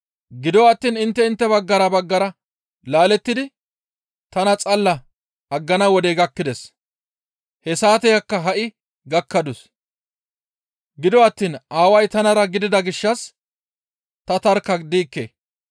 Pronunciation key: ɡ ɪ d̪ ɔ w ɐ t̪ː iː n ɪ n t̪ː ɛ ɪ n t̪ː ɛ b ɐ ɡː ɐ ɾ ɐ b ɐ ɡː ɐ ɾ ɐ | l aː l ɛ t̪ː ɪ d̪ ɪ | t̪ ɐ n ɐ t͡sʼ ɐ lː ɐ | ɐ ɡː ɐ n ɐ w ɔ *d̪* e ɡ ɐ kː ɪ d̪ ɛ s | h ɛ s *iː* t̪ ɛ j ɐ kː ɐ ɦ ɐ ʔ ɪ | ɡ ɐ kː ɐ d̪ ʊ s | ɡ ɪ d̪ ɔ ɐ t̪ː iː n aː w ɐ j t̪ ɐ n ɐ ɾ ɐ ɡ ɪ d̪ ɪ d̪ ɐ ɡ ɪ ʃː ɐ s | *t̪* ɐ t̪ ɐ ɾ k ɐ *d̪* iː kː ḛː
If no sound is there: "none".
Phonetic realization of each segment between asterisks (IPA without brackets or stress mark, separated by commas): d̪, aː, t̪, d̪